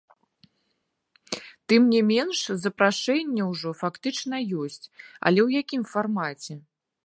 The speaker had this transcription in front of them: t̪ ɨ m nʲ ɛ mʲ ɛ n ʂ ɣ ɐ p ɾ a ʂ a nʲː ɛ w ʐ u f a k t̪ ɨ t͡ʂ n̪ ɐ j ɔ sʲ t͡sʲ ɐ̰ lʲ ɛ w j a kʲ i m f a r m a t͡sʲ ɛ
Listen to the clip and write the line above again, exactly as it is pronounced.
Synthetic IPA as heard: t̪ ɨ m nʲ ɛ mʲ ɛ n ʂ z ɐ p ɾ a ʂ ɛ nʲː ɛ w ʐ ɔ f a k t̪ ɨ t͡ʂ n̪ ɐ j ɔ sʲ t͡sʲ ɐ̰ lʲ ɛ w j a kʲ i m f a r m a t͡sʲ ɛ